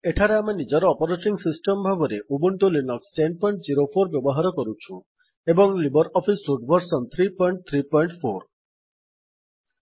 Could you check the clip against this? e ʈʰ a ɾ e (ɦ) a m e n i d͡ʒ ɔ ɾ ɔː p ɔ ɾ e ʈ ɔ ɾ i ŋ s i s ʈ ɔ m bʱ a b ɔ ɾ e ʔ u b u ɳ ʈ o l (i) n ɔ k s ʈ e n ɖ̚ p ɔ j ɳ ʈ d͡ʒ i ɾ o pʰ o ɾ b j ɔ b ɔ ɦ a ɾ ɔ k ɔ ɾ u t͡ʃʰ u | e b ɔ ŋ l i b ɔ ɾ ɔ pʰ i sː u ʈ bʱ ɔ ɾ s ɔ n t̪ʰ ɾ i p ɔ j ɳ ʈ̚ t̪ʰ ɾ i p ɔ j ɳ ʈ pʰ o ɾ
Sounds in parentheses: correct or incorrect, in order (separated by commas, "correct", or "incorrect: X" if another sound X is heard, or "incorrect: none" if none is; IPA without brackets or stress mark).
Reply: incorrect: none, correct